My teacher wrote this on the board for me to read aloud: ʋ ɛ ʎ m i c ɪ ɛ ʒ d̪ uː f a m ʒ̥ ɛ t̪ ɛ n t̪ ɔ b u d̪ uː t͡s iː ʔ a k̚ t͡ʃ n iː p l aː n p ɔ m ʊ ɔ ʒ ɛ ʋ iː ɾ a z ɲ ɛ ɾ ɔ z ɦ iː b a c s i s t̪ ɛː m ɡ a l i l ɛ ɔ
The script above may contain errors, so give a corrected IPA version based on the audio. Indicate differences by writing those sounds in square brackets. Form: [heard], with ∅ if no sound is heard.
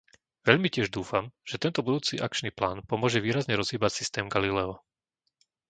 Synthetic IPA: ʋ ɛ ʎ m i c ɪ ɛ ʒ d̪ uː f a m ʒ̥ ɛ t̪ ɛ n t̪ ɔ b u d̪ uː t͡s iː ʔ a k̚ t͡ʃ n iː p l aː n p ɔ m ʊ ɔ ʒ ɛ ʋ iː ɾ a z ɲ ɛ ɾ ɔ z ɦ iː b a c s i s t̪ ɛː m ɡ a l i l ɛ ɔ

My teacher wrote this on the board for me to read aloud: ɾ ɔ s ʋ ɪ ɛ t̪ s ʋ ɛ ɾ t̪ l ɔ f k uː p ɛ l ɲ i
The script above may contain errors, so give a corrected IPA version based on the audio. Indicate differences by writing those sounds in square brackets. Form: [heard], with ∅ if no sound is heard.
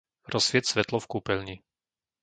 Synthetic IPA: ɾ ɔ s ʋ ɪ ɛ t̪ s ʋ ɛ [∅] t̪ l ɔ f k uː p ɛ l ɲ i

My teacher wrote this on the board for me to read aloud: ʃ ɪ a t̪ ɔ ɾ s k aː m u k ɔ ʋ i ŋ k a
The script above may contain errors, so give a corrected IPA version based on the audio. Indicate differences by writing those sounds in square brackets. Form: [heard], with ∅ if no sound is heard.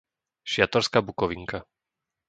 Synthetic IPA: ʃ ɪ a t̪ ɔ ɾ s k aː [b] u k ɔ ʋ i ŋ k a

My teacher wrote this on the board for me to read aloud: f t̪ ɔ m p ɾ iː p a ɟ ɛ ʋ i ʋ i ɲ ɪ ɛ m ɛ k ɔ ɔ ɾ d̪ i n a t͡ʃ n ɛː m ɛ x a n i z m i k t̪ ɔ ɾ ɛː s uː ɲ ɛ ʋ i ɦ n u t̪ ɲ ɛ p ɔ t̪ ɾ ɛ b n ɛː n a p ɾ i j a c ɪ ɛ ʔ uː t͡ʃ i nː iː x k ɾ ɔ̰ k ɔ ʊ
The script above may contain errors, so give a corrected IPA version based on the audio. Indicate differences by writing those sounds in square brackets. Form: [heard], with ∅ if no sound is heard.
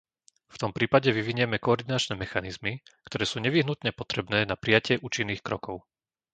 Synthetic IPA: f t̪ ɔ m p ɾ iː p a ɟ ɛ ʋ i ʋ i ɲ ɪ ɛ m ɛ k ɔ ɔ ɾ d̪ i n a t͡ʃ n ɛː m ɛ x a n i z m i k t̪ ɔ ɾ ɛː s uː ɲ ɛ ʋ i ɦ n u t̪ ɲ ɛ p ɔ t̪ ɾ ɛ b n ɛː n a p ɾ i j a c ɪ ɛ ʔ uː t͡ʃ i nː iː x k ɾ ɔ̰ k ɔ ʊ

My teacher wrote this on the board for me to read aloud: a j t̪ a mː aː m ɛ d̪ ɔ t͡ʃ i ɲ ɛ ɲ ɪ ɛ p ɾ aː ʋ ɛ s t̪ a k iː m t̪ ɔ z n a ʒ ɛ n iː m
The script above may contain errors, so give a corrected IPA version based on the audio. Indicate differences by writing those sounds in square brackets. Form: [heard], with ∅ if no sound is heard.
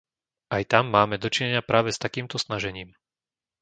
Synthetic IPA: a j t̪ a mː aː m ɛ d̪ ɔ t͡ʃ i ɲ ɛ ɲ ɪ [a] p ɾ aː ʋ ɛ s t̪ a k iː m t̪ ɔ [s] n a ʒ ɛ [ɲ] iː m

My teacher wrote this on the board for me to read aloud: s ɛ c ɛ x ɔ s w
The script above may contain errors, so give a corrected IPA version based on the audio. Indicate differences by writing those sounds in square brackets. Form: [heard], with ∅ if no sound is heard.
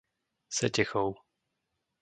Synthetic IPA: s ɛ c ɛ x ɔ [∅] w

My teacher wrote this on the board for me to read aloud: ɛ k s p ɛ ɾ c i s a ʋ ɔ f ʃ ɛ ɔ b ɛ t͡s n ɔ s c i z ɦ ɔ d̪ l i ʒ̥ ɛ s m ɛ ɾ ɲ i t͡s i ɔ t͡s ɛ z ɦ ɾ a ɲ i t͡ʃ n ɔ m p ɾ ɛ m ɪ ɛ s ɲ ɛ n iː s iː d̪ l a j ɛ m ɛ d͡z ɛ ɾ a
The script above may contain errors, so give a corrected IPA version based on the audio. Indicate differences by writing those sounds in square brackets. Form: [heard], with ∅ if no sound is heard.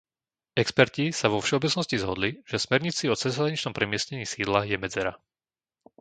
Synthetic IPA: ɛ k s p ɛ ɾ c i s a ʋ ɔ f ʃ ɛ ɔ b ɛ t͡s n ɔ s c i z ɦ ɔ d̪ l i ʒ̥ ɛ s m ɛ ɾ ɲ i t͡s i ɔ t͡s ɛ z ɦ ɾ a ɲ i t͡ʃ n ɔ m p ɾ ɛ m ɪ ɛ s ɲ ɛ [ɲ] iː s iː d̪ l a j ɛ m ɛ d͡z ɛ ɾ a

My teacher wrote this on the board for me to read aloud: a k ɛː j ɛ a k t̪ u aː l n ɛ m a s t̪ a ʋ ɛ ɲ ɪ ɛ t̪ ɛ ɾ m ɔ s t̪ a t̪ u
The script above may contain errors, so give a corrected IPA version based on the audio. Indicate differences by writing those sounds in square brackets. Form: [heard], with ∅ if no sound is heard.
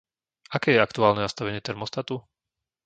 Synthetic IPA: a k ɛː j ɛ a k t̪ u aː l n ɛ [n] a s t̪ a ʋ ɛ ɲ ɪ ɛ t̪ ɛ ɾ m ɔ s t̪ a t̪ u

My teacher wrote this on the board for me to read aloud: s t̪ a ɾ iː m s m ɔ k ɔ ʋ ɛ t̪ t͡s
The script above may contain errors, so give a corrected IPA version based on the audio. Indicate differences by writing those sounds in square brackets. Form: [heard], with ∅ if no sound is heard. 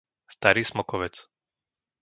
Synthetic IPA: s t̪ a ɾ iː [∅] s m ɔ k ɔ ʋ ɛ [∅] t͡s

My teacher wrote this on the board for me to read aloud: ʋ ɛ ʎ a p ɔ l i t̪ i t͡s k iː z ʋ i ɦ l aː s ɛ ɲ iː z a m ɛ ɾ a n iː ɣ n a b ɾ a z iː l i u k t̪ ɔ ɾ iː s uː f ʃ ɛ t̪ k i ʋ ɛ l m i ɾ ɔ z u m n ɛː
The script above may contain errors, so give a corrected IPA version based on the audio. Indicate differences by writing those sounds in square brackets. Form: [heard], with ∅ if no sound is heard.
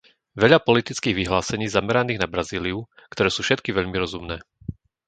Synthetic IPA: ʋ ɛ ʎ a p ɔ l i t̪ i t͡s k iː [ɣ] ʋ i ɦ l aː s ɛ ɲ iː z a m ɛ ɾ a n iː ɣ n a b ɾ a z iː l i u k t̪ ɔ ɾ [ɛː] s uː f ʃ ɛ t̪ k i ʋ ɛ [ʎ] m i ɾ ɔ z u m n ɛː

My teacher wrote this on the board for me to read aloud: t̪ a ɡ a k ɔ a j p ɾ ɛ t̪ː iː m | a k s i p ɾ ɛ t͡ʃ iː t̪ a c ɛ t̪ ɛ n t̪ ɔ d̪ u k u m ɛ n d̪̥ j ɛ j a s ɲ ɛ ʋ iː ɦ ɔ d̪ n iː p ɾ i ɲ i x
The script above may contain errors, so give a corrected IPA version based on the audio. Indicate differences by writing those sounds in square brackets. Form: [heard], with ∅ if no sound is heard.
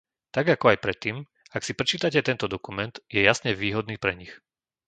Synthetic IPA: t̪ a ɡ a k ɔ a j p ɾ ɛ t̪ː iː m | a k s i p ɾ ɛ t͡ʃ iː t̪ a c ɛ t̪ ɛ n t̪ ɔ d̪ [ɔ] k u m ɛ n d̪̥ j ɛ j a s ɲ ɛ ʋ iː ɦ ɔ d̪ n iː p ɾ [ɛ] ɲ i x

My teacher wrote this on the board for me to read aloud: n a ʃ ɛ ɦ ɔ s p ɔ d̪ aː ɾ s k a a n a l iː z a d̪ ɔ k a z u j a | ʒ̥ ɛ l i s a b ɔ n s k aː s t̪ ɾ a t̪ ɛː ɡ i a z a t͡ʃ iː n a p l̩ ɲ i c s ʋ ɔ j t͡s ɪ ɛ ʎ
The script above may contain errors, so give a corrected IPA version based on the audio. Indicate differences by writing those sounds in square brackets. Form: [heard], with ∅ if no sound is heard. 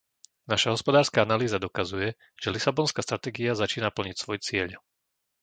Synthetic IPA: n a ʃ [a] ɦ ɔ s p ɔ d̪ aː ɾ s k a a n a l iː z a d̪ ɔ k a z u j [ɛ] | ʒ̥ ɛ l i s a b ɔ n s k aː s t̪ ɾ a t̪ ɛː ɡ i a z a t͡ʃ iː n a p l̩ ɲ i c s ʋ ɔ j t͡s ɪ ɛ ʎ

